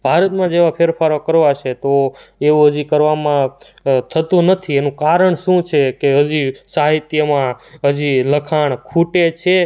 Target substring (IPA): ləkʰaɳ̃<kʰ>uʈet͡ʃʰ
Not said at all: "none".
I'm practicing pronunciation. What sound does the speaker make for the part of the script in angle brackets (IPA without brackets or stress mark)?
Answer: kʰ